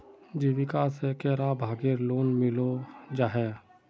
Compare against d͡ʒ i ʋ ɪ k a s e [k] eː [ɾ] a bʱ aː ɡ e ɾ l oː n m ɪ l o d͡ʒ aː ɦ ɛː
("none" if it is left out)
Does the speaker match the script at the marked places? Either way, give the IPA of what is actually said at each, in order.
k, ɾ

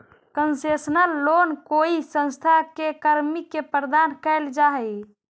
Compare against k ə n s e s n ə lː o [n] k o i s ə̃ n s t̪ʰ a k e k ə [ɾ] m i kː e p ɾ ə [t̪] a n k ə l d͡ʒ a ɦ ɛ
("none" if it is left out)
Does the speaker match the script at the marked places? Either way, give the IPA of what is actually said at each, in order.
n, ɾ, d̪

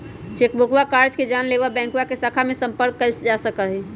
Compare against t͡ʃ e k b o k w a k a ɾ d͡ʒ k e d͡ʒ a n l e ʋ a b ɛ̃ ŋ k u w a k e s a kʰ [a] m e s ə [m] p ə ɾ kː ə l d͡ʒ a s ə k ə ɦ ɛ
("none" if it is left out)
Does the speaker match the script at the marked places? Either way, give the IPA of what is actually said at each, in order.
a, m

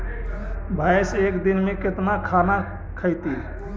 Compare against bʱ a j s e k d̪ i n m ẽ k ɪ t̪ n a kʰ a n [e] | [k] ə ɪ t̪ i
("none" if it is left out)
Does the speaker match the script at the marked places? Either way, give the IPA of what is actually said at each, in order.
a, kʰ

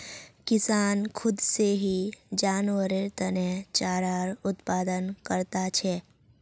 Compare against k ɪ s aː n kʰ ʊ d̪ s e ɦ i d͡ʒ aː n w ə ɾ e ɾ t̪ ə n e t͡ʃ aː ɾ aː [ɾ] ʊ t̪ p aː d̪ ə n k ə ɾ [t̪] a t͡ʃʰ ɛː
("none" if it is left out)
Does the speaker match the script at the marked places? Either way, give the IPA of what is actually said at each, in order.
ɾ, t̪

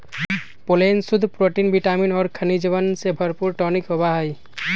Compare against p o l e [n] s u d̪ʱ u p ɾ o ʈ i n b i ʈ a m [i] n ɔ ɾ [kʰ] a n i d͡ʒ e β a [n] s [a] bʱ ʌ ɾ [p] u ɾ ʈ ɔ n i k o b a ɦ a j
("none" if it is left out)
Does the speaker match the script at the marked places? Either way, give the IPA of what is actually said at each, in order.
n, i, kʰ, n, e, p

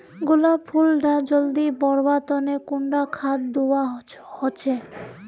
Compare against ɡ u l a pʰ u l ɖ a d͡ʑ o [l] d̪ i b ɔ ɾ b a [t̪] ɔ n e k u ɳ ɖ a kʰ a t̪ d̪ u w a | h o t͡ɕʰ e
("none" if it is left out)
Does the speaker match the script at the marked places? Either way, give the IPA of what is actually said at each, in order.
l, t̪

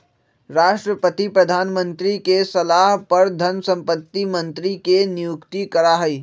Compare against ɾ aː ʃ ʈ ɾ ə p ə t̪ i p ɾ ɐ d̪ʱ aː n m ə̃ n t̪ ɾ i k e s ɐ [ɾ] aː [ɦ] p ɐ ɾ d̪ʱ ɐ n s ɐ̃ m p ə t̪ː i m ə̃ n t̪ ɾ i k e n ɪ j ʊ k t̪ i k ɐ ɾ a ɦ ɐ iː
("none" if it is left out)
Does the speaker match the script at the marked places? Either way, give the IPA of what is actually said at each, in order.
l, ɦ

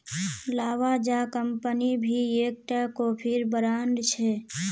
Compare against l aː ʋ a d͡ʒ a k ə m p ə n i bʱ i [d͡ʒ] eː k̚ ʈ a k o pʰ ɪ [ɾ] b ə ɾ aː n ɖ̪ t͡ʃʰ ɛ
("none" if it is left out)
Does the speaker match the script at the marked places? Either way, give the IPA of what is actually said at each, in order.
none, ɾ

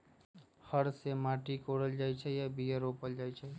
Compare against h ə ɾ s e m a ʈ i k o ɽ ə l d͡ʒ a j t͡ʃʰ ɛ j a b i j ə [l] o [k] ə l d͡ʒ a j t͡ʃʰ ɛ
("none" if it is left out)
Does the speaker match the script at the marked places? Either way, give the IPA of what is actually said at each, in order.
ɾ, p

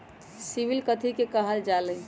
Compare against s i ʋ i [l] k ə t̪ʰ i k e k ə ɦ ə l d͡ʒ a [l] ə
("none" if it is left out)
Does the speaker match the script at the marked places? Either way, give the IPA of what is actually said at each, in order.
l, l

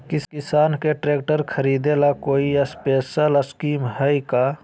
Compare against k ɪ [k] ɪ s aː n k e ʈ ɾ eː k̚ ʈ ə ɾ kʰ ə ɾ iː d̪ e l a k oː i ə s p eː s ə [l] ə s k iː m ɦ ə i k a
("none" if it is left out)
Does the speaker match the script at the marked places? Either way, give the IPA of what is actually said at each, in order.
k, l

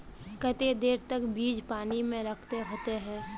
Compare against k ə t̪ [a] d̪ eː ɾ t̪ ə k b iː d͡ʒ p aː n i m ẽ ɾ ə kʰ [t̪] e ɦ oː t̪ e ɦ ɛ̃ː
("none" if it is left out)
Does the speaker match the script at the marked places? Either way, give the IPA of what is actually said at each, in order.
e, t̪

